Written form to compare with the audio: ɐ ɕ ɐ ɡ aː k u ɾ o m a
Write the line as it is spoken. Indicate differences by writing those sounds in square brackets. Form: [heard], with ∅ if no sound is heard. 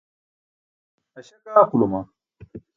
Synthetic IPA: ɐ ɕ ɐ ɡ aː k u [l] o m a